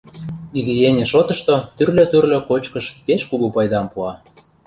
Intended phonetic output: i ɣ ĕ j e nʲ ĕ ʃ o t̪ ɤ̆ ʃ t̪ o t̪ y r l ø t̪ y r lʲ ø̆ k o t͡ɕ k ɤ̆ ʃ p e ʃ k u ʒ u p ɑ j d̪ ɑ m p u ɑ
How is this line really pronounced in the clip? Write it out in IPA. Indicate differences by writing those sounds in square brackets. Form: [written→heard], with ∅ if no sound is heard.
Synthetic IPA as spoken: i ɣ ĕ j e nʲ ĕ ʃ o t̪ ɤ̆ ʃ t̪ o t̪ y r l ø t̪ y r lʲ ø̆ k o t͡ɕ k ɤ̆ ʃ p e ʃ k u [ʒ→ɣ] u p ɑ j d̪ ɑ m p u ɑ